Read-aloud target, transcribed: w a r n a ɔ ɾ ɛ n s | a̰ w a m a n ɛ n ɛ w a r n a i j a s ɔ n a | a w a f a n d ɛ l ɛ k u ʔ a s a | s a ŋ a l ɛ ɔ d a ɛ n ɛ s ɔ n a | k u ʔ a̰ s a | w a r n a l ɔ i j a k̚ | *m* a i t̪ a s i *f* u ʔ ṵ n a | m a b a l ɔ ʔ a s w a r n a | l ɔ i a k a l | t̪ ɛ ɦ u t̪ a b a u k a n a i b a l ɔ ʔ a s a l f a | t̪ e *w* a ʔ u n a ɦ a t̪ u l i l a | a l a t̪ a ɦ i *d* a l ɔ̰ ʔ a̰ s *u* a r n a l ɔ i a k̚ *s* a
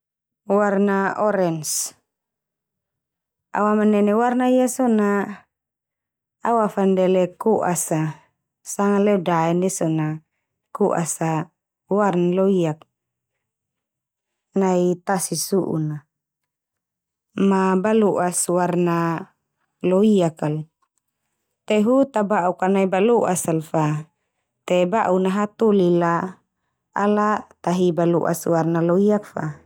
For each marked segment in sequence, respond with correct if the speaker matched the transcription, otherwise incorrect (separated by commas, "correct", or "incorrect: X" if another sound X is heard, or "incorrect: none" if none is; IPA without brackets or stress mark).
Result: incorrect: n, incorrect: s, incorrect: b, incorrect: b, incorrect: w, incorrect: f